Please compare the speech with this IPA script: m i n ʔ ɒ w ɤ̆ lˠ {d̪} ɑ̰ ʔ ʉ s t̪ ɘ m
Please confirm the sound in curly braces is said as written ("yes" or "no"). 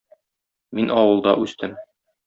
yes